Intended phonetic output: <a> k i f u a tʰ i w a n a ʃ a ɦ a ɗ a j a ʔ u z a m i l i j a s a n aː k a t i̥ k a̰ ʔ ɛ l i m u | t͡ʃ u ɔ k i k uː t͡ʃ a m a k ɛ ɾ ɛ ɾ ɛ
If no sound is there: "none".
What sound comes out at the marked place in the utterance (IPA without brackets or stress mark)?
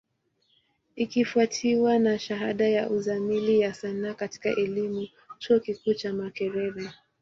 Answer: i